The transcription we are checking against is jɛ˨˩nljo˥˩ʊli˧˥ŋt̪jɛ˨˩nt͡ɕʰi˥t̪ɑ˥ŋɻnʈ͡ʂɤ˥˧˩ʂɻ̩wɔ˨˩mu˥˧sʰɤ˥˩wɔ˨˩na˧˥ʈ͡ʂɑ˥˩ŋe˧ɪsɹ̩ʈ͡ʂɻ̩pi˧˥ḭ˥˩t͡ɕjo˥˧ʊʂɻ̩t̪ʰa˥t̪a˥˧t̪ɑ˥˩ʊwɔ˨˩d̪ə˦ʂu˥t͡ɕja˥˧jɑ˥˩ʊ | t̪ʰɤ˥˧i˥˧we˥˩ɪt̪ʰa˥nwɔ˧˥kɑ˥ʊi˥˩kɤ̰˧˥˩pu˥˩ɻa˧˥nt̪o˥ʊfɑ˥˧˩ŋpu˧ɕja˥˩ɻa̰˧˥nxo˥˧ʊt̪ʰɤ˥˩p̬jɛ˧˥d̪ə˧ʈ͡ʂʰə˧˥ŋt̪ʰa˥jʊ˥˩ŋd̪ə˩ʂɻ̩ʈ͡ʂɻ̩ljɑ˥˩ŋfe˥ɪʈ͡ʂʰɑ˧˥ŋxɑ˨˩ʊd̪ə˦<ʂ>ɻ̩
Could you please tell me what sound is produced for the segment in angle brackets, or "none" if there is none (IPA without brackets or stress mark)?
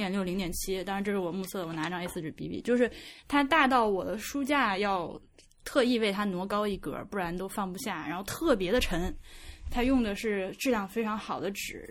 ʈ͡ʂ